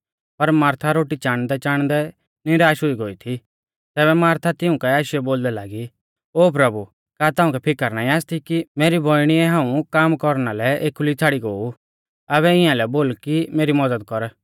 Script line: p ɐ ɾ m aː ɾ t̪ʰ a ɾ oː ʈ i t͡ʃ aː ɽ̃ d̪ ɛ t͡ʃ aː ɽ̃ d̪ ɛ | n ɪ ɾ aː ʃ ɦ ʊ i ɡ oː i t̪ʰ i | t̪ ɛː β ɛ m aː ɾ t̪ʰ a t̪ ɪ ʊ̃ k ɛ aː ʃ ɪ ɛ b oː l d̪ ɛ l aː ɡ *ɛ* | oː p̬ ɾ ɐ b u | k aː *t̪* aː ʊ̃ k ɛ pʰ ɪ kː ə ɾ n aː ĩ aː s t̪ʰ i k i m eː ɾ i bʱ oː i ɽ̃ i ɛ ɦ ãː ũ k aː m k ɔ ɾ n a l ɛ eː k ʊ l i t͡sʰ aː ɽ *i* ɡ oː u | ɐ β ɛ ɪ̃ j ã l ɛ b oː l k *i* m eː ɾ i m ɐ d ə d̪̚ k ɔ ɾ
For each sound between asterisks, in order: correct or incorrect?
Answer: incorrect: i, correct, correct, correct

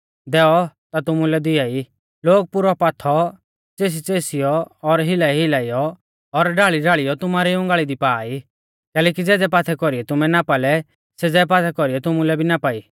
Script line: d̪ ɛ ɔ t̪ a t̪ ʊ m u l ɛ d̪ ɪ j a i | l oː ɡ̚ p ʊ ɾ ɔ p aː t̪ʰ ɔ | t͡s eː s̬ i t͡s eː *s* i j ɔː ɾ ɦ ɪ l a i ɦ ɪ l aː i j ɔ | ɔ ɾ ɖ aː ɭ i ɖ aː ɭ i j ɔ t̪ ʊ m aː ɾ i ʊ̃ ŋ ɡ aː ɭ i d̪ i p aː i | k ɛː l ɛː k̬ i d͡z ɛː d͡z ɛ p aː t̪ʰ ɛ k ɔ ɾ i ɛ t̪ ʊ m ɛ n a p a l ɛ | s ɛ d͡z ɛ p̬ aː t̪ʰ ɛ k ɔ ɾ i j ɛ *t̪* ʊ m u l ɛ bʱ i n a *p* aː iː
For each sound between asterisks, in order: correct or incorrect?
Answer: correct, correct, correct

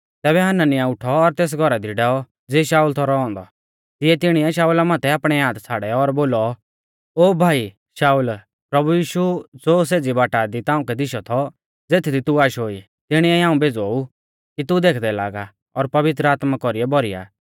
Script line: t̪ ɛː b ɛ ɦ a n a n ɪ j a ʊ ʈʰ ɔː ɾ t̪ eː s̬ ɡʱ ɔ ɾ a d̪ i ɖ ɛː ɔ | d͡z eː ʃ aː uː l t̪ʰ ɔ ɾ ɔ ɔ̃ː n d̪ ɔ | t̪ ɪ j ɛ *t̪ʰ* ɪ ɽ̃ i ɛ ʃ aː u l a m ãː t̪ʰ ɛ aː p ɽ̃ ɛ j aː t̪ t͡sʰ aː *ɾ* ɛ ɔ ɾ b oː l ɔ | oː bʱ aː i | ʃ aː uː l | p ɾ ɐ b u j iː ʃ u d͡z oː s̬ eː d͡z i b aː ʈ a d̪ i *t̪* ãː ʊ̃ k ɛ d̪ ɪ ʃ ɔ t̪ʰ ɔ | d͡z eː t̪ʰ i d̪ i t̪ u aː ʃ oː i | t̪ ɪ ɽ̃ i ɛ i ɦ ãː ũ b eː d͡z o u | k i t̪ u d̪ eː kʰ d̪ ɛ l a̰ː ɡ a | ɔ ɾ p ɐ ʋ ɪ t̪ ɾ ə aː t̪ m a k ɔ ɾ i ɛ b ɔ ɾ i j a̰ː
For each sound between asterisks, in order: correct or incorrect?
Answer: incorrect: t̪, incorrect: ɽ, correct

